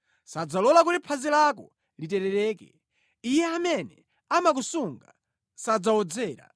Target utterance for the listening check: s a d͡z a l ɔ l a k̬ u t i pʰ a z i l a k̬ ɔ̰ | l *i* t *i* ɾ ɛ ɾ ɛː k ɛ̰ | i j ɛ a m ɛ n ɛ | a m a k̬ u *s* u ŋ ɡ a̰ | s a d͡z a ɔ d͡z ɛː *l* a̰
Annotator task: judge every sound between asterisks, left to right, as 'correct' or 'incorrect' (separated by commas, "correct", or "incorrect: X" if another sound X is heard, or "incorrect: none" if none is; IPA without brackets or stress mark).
correct, incorrect: ɛ, correct, incorrect: ɾ